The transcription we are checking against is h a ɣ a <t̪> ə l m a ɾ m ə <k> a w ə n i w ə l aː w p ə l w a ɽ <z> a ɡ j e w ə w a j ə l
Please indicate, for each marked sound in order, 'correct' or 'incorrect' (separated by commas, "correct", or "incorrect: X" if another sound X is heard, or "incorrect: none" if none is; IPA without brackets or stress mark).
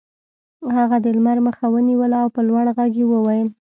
incorrect: d̪, incorrect: x, incorrect: ɣ